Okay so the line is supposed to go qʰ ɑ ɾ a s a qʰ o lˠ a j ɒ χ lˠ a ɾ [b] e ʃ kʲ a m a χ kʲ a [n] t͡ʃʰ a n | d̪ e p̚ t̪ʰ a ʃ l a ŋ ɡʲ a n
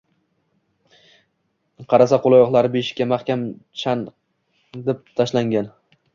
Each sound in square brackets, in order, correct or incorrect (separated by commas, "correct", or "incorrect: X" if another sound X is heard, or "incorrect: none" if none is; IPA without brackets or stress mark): correct, incorrect: m